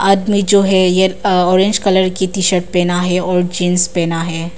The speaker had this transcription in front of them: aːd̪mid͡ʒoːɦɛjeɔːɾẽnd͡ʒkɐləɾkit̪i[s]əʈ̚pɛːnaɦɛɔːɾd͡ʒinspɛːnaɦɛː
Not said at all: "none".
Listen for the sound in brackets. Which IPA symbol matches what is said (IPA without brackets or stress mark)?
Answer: ʃ